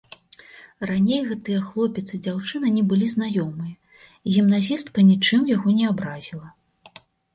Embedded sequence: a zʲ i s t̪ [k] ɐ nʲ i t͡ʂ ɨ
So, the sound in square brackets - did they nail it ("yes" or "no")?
yes